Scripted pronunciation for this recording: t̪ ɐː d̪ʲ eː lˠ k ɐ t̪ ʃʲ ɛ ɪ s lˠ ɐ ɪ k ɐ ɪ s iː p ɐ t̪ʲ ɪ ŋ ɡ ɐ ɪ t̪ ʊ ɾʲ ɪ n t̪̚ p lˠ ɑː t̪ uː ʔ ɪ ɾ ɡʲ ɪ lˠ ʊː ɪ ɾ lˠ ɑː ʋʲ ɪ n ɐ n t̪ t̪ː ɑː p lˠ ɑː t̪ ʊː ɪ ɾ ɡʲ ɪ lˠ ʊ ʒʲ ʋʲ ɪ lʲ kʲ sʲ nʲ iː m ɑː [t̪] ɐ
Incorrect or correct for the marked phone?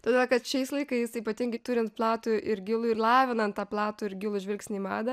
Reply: incorrect: d̪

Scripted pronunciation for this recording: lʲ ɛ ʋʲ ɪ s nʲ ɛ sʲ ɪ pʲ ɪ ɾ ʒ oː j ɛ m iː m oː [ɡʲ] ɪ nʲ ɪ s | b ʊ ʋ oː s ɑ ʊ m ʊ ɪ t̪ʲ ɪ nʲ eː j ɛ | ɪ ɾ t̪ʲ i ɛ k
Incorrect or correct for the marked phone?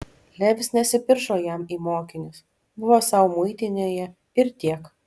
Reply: incorrect: kʲ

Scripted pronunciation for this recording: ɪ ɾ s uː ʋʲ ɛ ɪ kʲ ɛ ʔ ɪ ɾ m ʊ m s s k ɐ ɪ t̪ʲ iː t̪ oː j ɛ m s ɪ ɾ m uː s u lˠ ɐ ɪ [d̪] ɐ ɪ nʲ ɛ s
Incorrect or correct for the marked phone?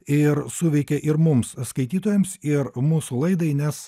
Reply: correct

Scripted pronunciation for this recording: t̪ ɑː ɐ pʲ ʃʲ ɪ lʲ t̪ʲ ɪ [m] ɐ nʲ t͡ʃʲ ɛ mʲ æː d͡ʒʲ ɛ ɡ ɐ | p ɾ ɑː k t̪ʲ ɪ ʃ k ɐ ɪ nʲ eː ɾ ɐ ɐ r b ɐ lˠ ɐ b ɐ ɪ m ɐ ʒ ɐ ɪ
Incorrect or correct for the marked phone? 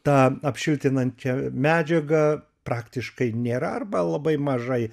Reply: incorrect: n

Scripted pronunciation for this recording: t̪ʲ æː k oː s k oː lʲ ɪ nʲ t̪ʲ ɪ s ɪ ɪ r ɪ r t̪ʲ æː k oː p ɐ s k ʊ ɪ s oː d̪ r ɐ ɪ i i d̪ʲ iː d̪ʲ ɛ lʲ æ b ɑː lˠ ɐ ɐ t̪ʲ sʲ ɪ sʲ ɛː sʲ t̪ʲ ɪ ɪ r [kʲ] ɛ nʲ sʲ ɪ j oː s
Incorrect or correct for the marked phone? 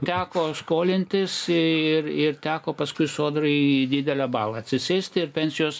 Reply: incorrect: pʲ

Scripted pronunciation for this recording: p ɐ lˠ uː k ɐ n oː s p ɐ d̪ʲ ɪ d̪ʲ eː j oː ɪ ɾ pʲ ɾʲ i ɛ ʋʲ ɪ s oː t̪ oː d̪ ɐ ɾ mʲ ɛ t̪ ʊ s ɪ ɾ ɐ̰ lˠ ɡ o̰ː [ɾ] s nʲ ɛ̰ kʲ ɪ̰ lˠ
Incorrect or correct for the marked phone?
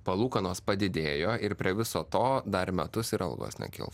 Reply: incorrect: none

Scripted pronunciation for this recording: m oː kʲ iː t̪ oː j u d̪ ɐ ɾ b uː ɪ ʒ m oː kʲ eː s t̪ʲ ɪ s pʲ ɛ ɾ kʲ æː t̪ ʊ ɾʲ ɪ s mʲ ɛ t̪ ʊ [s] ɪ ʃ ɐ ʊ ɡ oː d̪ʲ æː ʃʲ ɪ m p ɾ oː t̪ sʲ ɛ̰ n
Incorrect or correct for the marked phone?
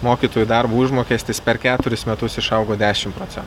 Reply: correct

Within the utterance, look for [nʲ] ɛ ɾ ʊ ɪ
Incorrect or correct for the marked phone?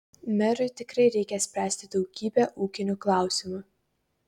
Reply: incorrect: mʲ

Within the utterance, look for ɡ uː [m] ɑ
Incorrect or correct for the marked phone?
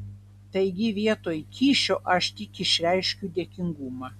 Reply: correct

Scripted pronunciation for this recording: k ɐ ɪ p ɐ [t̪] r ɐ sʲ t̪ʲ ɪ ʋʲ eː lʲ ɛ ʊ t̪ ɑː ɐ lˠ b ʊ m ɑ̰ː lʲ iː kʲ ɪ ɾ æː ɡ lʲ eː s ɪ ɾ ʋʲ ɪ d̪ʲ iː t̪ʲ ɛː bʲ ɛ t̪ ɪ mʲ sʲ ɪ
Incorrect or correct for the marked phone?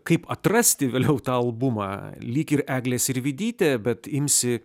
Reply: correct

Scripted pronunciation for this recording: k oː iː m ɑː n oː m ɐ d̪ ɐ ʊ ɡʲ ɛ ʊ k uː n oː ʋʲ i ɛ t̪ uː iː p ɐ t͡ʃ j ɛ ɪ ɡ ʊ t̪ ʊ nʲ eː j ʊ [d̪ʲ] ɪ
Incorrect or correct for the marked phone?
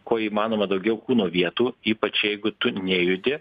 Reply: correct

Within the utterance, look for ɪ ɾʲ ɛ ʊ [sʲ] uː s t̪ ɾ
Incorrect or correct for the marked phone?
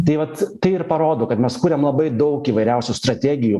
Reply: correct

